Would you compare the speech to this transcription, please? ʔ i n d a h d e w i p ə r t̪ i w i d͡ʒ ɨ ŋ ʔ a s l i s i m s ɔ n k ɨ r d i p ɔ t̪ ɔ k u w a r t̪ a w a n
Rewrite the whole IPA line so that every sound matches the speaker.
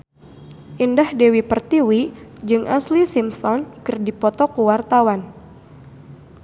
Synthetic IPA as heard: ʔ i n d a h d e w i p ə r t̪ i w i d͡ʒ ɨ ŋ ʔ a s l i s i m s ɔ n k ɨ r d i p ɔ t̪ ɔ k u w a r t̪ a w a n